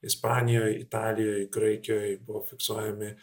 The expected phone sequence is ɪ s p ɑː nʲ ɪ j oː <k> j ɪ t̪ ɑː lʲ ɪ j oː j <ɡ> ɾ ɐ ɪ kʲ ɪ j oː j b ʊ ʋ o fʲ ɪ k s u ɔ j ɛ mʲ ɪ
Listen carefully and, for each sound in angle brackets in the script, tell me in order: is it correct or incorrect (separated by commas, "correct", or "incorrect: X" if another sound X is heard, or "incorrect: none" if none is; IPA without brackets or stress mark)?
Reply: incorrect: none, correct